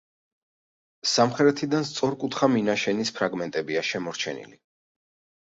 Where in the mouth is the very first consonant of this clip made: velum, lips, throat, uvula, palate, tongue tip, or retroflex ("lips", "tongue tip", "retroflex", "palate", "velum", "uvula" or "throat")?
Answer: tongue tip